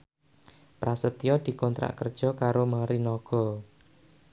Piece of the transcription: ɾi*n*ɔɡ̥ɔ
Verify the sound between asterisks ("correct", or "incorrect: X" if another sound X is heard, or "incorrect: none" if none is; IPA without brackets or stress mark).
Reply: correct